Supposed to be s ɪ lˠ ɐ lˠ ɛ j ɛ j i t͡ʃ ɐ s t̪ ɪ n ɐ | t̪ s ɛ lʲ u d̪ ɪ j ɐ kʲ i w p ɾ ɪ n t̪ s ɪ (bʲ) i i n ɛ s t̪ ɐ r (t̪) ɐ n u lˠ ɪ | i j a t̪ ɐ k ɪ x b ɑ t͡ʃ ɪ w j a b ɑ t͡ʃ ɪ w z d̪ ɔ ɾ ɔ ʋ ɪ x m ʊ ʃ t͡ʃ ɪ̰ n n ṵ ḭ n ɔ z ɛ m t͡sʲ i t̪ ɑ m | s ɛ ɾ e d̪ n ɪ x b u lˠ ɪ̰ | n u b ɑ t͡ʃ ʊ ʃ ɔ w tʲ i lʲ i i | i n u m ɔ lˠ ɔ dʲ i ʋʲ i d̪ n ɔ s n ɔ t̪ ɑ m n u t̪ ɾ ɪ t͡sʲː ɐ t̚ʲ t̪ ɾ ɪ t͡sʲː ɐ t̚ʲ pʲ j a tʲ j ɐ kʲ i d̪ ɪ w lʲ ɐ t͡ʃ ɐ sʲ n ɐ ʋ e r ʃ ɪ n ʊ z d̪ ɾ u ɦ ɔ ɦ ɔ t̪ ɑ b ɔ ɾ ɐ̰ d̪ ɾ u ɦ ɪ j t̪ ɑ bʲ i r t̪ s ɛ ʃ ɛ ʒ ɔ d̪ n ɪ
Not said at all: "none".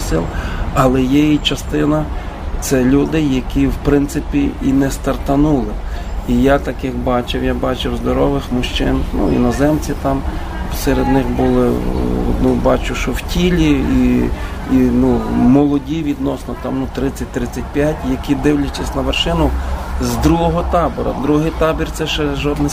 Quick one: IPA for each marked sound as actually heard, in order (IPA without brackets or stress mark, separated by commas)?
pʲ, t̪